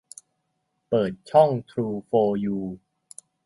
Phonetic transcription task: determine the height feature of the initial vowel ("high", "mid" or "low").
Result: mid